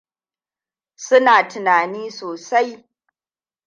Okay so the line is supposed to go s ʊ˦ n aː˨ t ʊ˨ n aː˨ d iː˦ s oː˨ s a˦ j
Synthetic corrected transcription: s ʊ˦ n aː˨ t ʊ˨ n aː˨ n iː˦ s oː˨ s a˦ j